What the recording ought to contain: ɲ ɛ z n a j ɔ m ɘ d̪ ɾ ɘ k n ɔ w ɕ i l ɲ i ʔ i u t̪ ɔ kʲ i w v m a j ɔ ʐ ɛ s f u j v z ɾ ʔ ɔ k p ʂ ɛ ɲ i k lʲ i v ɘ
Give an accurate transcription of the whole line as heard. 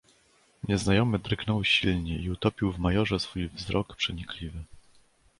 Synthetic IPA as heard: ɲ ɛ z n a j ɔ m ɘ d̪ ɾ ɘ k n ɔ w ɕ i l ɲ ɛ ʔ i u t̪ ɔ pʲ i w v m a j ɔ ʐ ɛ s f u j v z ɾ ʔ ɔ k p ʂ ɛ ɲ i k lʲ i v ɘ